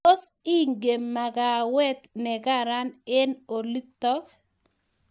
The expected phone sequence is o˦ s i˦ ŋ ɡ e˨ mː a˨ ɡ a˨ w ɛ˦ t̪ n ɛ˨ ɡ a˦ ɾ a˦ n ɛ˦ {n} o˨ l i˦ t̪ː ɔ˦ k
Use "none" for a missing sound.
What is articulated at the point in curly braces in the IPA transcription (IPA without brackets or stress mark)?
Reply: n